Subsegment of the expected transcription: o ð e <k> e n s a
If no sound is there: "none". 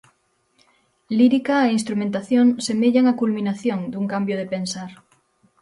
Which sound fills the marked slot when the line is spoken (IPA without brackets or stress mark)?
p